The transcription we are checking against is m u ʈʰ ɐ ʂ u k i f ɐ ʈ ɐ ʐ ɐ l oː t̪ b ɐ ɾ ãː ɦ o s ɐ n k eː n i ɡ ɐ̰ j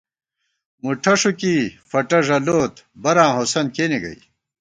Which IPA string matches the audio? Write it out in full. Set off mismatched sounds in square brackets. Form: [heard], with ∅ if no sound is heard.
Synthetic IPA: m u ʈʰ ɐ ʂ u k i f ɐ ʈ ɐ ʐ ɐ l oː t̪ b ɐ ɾ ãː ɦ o s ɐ n k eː n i ɡ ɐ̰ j